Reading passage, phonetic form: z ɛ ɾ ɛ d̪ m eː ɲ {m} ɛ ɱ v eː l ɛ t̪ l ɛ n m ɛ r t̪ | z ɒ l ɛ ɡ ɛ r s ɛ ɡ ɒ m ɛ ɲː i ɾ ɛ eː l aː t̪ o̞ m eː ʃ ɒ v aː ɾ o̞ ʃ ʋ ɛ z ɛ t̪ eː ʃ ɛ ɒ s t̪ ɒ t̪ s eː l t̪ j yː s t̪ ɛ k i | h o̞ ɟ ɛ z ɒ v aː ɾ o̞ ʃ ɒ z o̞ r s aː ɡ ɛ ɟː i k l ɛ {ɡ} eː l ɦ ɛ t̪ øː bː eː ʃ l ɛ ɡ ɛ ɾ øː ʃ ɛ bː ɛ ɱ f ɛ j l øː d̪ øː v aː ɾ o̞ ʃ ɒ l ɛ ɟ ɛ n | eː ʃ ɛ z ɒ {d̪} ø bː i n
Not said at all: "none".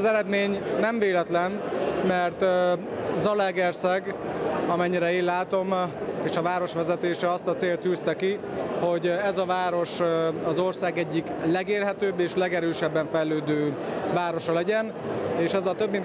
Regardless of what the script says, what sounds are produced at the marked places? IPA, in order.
n, ɡ, t̪

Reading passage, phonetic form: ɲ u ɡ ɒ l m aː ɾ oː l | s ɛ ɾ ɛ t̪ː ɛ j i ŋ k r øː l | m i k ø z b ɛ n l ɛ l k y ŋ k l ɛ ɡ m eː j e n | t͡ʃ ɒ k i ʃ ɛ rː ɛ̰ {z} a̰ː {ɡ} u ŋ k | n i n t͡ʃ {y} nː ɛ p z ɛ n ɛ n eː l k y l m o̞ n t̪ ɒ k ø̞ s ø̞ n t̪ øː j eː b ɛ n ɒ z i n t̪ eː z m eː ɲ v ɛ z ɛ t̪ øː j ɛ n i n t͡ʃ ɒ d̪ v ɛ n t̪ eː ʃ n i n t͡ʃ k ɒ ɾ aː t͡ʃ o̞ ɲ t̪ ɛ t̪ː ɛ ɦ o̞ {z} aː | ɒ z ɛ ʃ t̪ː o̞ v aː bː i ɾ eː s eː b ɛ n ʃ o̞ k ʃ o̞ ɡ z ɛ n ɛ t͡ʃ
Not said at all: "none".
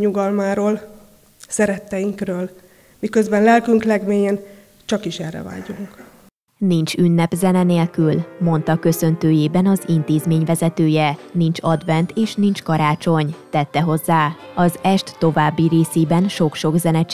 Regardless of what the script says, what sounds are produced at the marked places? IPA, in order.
v, ɟ, y, zː

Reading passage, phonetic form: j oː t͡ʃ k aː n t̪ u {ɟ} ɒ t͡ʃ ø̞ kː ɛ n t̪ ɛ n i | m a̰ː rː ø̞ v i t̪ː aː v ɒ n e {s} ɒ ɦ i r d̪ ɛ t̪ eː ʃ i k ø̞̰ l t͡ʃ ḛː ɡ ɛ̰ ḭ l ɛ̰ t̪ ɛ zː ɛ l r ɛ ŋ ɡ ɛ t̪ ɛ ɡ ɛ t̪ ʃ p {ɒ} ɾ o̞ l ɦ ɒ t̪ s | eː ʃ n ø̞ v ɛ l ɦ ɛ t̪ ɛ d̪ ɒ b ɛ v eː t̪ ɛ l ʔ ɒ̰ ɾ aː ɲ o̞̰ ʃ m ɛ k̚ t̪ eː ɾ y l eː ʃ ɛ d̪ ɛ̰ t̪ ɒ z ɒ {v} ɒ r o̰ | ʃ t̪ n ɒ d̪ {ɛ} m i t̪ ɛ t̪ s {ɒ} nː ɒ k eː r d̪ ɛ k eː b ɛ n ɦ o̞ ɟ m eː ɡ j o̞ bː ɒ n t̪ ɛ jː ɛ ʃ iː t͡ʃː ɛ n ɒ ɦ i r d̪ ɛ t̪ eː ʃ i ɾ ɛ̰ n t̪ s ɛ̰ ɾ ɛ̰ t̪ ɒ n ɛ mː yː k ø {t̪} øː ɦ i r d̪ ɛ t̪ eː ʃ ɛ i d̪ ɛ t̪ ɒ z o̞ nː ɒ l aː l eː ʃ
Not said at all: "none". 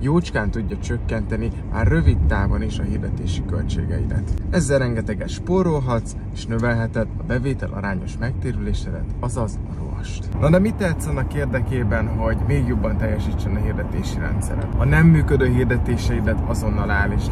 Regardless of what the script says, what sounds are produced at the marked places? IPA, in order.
ɟː, ʃ, o, z, ɛ, ɒ, d̪

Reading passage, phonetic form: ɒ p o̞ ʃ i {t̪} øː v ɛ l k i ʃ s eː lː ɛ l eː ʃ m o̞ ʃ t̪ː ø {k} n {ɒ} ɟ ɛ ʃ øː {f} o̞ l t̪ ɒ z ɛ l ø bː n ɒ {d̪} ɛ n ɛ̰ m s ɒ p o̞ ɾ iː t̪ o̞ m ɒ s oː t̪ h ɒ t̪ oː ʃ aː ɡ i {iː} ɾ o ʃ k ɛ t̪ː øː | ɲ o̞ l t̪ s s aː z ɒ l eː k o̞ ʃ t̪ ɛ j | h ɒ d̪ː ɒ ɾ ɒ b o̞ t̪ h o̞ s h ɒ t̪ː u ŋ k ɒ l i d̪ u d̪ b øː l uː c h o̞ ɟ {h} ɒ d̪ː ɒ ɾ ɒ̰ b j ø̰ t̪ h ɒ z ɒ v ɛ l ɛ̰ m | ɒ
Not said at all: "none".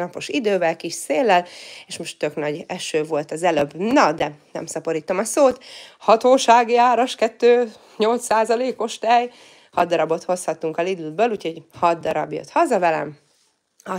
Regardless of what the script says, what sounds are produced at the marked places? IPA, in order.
d̪, k, ɒ, v, d̪, aː, h

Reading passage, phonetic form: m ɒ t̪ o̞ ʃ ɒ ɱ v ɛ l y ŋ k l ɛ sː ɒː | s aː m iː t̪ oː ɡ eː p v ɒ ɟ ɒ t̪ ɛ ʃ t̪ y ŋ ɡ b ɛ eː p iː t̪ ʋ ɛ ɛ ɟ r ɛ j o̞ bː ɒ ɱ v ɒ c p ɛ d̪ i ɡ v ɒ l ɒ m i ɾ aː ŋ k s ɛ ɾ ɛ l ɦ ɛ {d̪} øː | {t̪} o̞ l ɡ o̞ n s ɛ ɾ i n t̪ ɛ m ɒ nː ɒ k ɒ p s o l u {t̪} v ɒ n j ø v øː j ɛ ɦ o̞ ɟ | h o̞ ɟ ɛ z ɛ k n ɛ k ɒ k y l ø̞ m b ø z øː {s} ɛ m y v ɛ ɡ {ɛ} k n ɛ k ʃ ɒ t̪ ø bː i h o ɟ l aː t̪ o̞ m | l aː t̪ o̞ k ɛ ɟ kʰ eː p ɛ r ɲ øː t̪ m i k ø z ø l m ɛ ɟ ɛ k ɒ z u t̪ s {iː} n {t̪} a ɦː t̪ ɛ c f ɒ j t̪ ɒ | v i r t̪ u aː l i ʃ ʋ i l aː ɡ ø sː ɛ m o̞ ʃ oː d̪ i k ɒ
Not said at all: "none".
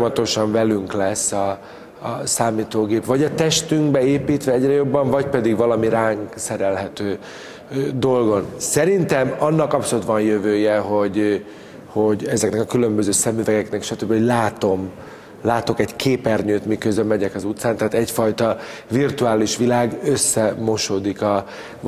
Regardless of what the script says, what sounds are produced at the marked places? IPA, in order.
t̪, d̪, t̪, s, ɛ, aː, t̪

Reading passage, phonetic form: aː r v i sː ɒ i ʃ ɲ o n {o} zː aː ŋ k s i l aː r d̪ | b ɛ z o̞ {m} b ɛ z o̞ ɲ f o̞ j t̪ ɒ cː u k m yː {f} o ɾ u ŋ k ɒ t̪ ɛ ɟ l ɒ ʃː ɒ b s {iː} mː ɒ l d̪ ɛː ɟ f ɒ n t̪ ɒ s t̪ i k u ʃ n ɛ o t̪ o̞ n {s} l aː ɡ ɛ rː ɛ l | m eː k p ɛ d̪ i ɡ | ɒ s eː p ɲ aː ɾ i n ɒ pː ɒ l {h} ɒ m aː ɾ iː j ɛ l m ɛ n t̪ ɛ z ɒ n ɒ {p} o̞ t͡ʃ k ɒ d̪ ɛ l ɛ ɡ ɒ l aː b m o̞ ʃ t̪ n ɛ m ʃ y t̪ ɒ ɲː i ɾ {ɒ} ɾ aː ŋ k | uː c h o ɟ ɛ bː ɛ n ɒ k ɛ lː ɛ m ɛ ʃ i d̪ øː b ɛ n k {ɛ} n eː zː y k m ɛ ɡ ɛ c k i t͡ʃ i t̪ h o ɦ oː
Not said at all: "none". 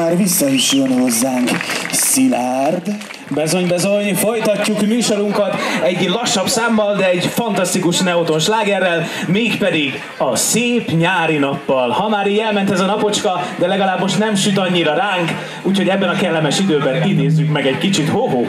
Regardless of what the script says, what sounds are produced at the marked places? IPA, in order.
o, ɲ, ʃ, aː, ʃ, h, p, ɒ, i

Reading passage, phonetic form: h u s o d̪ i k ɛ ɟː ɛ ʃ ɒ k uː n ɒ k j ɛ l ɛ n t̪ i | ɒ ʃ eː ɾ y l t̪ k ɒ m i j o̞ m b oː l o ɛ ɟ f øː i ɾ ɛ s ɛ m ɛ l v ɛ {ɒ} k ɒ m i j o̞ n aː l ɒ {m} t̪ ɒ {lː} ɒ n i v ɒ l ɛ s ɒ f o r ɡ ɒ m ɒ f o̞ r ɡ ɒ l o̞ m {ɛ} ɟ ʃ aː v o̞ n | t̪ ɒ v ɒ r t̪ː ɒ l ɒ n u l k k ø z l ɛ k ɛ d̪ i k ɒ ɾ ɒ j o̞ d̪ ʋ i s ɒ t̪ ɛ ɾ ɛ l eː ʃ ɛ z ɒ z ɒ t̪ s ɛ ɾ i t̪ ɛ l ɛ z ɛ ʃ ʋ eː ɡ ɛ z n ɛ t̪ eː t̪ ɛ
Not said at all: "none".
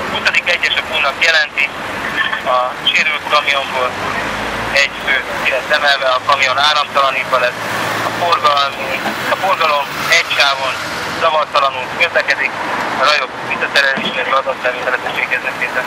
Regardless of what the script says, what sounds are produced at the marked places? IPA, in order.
ɒ, m, l, ɛ

